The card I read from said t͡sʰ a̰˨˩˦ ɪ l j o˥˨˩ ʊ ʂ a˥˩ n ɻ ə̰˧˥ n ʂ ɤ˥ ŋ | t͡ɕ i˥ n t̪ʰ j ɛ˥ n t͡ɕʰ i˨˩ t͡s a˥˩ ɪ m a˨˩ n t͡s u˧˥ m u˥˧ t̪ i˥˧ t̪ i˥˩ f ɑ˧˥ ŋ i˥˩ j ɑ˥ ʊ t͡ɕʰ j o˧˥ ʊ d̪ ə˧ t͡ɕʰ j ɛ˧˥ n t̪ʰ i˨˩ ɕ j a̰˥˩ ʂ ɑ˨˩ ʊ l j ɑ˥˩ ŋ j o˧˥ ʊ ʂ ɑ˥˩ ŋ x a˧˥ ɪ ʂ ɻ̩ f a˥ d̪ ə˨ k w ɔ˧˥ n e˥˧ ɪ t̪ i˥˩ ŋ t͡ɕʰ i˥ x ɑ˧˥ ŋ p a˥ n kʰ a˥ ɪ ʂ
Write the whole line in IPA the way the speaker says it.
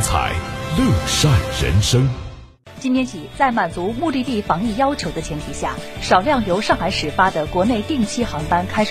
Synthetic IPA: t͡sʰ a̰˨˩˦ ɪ l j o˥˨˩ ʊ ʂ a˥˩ n ɻ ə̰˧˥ n ʂ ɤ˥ ŋ | t͡ɕ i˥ n t̪ʰ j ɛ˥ n t͡ɕʰ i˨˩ t͡s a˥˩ ɪ m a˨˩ n t͡s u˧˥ m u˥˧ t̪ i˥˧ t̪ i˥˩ f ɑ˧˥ ŋ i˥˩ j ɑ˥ ʊ t͡ɕʰ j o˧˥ ʊ d̪ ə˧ t͡ɕʰ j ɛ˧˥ n t̪ʰ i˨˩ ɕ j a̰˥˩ ʂ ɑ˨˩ ʊ l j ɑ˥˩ ŋ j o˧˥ ʊ ʂ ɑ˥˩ ŋ x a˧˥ ɪ ʂ ɻ̩ f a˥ d̪ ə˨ k w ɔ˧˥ n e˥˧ ɪ t̪ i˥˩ ŋ t͡ɕʰ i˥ x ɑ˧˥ ŋ p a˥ n kʰ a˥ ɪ ʂ